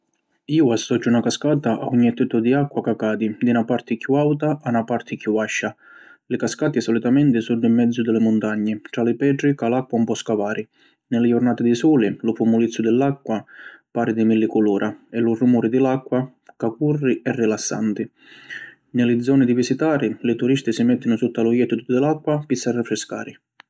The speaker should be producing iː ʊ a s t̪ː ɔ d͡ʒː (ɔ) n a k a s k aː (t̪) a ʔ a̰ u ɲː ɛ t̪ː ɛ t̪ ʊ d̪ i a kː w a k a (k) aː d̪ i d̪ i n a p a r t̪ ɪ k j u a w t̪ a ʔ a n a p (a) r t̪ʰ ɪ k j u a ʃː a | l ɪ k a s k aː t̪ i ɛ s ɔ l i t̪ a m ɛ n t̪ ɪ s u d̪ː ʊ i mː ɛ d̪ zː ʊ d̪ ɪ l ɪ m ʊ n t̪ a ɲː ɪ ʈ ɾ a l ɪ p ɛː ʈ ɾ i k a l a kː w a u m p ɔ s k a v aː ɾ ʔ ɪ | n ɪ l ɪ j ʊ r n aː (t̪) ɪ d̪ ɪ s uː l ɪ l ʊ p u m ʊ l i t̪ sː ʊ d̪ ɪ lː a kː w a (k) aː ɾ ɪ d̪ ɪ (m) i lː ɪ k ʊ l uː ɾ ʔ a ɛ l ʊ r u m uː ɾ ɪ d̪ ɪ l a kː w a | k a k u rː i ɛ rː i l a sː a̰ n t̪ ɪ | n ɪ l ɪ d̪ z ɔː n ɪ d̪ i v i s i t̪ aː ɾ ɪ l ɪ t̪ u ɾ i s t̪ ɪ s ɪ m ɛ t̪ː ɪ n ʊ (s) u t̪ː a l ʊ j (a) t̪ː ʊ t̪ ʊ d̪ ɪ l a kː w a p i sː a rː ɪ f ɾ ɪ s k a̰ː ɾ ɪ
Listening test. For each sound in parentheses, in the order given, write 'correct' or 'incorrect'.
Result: incorrect: u, correct, correct, correct, correct, incorrect: p, correct, correct, incorrect: ɛ

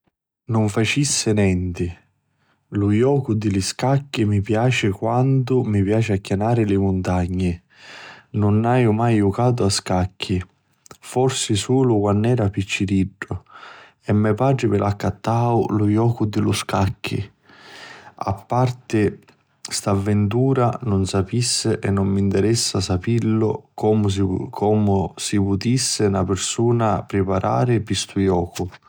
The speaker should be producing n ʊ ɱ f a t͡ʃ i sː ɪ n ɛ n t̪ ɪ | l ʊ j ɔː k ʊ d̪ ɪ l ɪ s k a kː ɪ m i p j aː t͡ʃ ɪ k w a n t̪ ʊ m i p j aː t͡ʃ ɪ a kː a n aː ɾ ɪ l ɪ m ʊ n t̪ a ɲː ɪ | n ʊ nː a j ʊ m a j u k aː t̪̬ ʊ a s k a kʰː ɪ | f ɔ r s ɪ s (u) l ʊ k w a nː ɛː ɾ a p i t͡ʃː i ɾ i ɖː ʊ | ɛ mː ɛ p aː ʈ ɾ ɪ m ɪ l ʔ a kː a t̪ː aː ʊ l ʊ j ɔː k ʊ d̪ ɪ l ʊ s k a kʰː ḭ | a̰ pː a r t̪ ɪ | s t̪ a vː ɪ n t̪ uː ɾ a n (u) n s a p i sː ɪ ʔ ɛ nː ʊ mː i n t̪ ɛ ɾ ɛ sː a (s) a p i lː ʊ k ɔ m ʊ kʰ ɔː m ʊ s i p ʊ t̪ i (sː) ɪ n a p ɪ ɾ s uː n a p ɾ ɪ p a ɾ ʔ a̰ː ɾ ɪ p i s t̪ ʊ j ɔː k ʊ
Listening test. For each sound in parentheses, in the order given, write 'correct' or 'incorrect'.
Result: incorrect: uː, incorrect: ʊ, correct, correct

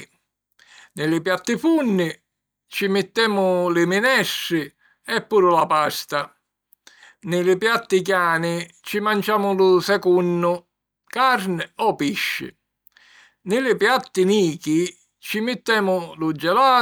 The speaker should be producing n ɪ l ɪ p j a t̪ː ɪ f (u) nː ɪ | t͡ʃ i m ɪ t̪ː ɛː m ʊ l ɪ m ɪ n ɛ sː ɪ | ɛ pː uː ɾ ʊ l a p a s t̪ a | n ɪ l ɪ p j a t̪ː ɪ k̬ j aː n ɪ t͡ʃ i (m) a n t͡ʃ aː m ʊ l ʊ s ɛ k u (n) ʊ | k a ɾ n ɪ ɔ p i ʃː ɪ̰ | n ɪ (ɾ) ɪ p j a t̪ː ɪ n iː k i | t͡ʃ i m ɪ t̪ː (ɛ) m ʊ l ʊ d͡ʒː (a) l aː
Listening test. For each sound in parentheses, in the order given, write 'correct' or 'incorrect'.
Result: correct, correct, incorrect: nː, incorrect: l, incorrect: ɛː, incorrect: ɛ

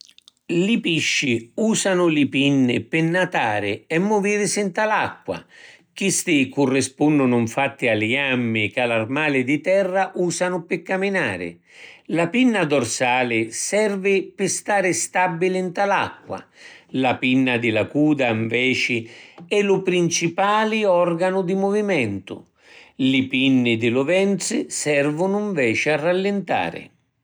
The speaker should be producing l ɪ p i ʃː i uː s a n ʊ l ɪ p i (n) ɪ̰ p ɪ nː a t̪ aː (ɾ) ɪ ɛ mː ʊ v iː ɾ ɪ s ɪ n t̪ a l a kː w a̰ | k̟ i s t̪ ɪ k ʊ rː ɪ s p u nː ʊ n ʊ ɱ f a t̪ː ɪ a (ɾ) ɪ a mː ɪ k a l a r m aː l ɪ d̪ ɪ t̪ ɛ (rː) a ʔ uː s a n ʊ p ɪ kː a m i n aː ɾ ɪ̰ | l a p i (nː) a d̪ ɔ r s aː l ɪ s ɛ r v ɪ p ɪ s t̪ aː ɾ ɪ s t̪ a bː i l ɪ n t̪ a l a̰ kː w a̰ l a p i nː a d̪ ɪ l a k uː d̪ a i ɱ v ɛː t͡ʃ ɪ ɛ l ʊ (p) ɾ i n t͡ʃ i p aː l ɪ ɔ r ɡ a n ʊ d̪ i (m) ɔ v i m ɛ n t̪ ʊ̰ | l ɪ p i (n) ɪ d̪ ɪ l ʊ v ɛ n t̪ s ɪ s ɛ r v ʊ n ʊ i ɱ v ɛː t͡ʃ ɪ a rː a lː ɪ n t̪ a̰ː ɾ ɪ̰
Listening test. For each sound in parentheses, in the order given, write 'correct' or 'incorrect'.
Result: incorrect: nː, correct, incorrect: l, correct, correct, correct, correct, incorrect: nː

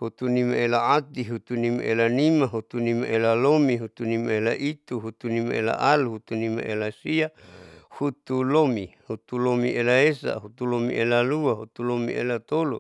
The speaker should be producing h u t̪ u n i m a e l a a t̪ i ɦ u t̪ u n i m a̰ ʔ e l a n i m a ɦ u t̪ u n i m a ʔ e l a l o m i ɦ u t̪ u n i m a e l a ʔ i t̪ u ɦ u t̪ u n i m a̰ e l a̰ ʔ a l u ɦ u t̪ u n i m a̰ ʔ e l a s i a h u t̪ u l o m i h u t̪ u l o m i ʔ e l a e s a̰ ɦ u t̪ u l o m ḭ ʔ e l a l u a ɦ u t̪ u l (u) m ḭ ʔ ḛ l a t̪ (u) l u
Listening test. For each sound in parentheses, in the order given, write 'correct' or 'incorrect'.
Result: incorrect: o, incorrect: o

